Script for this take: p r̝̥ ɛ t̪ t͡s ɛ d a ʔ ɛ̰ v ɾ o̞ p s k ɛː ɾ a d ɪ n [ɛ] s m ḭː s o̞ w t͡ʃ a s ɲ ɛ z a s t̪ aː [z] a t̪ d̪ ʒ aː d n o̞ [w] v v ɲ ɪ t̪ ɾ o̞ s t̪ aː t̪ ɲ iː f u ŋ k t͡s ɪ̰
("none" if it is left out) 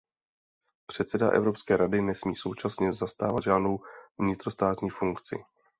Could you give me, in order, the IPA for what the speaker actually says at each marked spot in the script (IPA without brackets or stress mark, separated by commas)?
ɛ, v, w